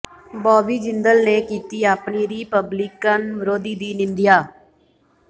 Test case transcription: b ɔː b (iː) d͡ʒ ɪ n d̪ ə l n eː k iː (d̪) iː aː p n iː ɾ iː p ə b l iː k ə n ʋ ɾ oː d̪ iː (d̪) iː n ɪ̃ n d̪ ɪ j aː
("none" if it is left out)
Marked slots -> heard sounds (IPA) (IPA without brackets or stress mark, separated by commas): iː, t̪, d̪